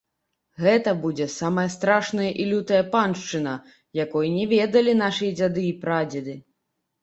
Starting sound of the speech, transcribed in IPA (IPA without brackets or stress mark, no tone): ɣ